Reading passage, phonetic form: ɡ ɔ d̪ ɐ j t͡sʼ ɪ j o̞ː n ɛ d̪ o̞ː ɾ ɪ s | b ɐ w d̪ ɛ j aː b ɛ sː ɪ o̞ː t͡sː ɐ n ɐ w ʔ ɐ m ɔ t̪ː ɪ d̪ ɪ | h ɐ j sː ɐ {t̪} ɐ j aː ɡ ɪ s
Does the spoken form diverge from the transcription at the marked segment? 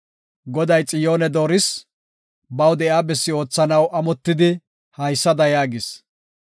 yes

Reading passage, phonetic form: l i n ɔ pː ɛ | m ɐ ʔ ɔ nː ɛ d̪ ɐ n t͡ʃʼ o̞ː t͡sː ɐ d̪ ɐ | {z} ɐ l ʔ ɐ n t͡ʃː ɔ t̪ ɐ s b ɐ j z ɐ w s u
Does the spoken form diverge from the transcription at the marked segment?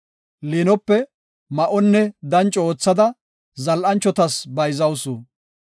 no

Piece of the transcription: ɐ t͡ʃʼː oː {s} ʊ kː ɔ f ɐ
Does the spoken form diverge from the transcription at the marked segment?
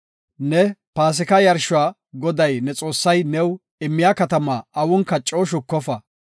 yes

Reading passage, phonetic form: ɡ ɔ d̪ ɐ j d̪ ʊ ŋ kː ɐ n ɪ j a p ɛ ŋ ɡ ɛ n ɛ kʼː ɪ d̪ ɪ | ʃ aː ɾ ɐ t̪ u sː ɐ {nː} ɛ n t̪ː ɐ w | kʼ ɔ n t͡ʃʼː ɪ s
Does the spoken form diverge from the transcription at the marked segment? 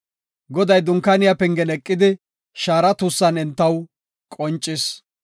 yes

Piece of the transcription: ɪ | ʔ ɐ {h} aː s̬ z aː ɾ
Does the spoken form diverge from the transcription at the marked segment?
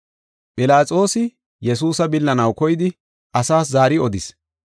yes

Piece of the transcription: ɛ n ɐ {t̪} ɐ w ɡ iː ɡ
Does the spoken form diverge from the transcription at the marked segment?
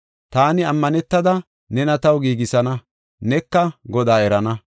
no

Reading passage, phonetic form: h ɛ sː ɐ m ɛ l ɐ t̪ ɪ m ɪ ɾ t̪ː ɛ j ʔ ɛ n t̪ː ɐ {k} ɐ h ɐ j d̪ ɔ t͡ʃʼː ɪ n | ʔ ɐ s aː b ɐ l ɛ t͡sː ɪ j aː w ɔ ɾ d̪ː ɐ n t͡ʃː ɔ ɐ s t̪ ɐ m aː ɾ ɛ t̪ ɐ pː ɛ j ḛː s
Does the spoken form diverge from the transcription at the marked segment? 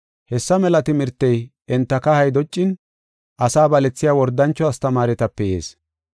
no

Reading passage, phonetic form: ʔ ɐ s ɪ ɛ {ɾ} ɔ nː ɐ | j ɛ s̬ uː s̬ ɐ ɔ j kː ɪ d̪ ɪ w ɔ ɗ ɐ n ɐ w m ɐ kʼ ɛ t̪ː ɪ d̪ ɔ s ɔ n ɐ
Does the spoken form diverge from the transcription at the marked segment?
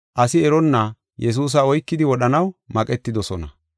no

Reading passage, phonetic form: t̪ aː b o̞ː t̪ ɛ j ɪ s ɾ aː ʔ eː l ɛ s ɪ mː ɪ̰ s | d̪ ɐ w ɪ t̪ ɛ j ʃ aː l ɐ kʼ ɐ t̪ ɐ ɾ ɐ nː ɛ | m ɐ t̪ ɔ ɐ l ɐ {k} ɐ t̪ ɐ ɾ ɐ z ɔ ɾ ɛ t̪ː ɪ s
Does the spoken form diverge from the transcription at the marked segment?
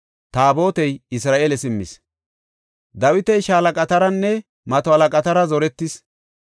yes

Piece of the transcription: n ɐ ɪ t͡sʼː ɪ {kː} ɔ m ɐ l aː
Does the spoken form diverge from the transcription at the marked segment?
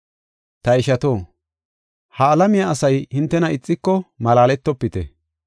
no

